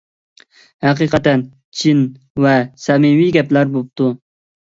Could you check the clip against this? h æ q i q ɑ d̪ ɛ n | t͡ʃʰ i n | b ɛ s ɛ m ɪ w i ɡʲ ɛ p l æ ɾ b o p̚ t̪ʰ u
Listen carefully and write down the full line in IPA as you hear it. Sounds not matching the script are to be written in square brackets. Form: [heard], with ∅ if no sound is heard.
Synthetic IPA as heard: h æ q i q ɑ [t̪] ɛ n | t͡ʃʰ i n | [v] ɛ s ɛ m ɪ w i ɡʲ ɛ p l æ ɾ b o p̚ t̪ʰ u